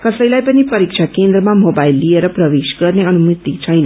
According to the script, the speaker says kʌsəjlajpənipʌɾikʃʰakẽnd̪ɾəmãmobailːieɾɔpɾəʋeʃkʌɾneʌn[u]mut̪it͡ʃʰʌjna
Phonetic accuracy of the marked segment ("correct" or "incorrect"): correct